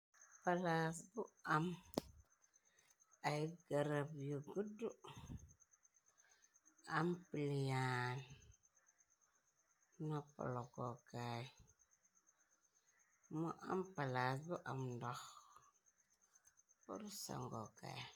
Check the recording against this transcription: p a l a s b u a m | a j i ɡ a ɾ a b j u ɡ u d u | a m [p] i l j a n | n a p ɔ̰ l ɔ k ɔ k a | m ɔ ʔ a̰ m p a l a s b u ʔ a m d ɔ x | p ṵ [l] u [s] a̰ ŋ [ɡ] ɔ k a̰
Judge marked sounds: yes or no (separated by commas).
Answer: yes, no, yes, yes